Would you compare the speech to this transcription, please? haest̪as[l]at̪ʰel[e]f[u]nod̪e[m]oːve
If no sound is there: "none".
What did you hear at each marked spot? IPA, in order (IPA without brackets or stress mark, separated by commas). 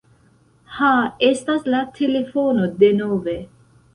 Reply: l, e, o, n